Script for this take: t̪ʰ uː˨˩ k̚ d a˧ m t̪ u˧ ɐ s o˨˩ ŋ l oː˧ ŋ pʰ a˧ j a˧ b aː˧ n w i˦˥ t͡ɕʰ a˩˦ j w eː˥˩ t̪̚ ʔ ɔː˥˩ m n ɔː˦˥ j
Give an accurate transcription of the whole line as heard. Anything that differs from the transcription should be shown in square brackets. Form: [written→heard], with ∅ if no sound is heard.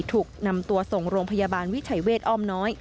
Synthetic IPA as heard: t̪ʰ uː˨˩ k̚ [d→n] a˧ m t̪ u˧ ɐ s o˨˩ ŋ [l→ɾ] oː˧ ŋ pʰ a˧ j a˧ b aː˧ n w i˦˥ t͡ɕʰ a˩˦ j w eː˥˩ t̪̚ ʔ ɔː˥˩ m n ɔː˦˥ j